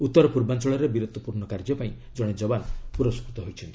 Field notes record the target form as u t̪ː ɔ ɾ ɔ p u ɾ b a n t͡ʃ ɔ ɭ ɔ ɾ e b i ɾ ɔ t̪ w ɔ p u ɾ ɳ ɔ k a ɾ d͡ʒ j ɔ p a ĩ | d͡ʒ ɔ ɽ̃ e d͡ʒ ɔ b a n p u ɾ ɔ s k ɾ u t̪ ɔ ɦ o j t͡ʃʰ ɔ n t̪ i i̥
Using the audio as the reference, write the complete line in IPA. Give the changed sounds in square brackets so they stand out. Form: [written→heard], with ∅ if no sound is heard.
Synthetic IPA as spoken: u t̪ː ɔ ɾ ɔ p u ɾ b a n t͡ʃ ɔ ɭ ɔ ɾ e b i ɾ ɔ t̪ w ɔ p u ɾ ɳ ɔ k a ɾ d͡ʒ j ɔ p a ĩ | d͡ʒ ɔ ɽ̃ e d͡ʒ ɔ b a n p u ɾ ɔ s k ɾ u t̪ ɔ ɦ o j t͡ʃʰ ɔ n t̪ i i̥